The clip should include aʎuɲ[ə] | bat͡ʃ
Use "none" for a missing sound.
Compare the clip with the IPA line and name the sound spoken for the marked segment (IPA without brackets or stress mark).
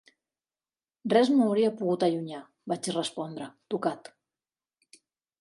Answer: a